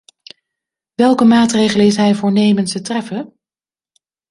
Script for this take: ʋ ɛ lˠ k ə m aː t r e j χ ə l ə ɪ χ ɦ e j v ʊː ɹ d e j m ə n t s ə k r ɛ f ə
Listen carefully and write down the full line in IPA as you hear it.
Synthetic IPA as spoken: ʋ ɛ lˠ k ə m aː t r e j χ ə l ə ɪ s ɦ ɛ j v ʊː ɹ n e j m ə n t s ə t r ɛ f ə